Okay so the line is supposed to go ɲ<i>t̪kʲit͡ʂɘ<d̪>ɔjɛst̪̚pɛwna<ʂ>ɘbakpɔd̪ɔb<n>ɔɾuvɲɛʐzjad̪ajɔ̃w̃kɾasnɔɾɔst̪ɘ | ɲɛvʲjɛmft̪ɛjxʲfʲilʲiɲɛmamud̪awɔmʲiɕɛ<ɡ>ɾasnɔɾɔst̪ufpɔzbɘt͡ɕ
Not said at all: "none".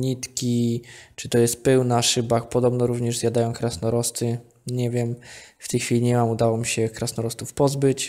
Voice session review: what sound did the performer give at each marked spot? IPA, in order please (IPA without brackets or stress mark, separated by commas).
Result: i, t̪, ʂ, n, k